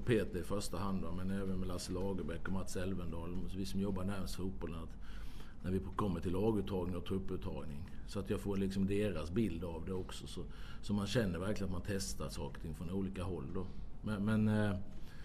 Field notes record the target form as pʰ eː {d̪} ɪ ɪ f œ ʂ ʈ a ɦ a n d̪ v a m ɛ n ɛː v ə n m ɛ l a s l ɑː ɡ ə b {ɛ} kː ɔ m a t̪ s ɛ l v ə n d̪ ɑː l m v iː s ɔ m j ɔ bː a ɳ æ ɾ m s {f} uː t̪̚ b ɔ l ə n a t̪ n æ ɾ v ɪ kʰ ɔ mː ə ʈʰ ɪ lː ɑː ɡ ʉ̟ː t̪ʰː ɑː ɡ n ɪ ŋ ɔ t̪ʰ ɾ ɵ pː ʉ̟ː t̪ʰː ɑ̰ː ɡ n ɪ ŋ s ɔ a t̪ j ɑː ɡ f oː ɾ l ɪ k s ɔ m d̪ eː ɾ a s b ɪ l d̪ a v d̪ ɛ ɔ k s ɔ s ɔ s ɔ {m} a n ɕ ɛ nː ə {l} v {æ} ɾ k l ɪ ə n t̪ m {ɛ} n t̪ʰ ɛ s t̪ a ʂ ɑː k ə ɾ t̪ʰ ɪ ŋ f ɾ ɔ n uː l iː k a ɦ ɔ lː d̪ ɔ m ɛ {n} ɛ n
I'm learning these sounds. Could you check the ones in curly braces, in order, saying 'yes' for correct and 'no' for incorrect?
no, yes, yes, yes, no, yes, no, no

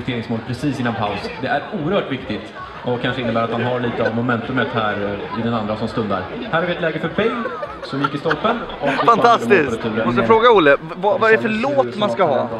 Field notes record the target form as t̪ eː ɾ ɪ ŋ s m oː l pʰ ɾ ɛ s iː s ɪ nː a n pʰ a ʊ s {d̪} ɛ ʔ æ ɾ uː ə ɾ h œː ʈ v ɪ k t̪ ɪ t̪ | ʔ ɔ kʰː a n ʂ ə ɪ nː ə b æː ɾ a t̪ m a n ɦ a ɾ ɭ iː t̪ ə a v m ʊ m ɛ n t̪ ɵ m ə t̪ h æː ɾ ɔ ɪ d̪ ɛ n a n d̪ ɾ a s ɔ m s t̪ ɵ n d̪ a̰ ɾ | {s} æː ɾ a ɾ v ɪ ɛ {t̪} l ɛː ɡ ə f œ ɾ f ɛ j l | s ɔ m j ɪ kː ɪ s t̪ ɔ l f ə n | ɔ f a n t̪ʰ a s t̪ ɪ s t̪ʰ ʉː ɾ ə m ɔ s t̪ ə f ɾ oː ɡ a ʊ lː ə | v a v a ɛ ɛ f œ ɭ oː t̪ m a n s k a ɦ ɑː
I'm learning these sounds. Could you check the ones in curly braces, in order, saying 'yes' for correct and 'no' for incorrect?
yes, no, yes

